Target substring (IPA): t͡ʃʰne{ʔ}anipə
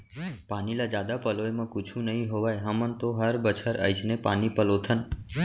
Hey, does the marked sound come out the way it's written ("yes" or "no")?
no